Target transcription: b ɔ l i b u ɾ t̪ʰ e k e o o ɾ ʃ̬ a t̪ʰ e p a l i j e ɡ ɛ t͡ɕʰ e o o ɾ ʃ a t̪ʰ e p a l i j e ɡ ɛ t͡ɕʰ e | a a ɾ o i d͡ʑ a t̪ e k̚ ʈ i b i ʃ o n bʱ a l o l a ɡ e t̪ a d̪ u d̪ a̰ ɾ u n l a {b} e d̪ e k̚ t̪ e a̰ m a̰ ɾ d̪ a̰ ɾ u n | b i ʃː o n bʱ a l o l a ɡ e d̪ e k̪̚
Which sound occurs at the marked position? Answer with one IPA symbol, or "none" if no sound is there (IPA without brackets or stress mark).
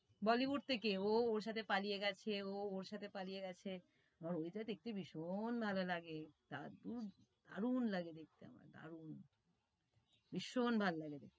ɡ